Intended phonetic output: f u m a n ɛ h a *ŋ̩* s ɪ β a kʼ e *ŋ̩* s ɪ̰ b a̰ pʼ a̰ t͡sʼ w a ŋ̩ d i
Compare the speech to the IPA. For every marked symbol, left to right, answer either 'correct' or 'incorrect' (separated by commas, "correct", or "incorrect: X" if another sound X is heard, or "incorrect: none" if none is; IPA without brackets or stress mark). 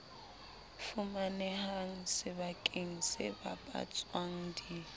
correct, correct